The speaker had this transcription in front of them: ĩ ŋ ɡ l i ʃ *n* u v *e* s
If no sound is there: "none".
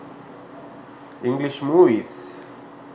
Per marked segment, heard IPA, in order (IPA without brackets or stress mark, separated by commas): m, i